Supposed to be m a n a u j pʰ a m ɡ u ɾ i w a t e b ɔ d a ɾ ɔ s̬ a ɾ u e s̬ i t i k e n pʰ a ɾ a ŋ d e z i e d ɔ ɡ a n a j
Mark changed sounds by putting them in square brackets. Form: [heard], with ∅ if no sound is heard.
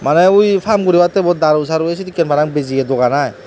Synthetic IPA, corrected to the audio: m a n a u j pʰ a m ɡ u ɾ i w a t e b ɔ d a ɾ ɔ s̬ a ɾ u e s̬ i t i k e n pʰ a ɾ a ŋ [b] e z i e d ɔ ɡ a n a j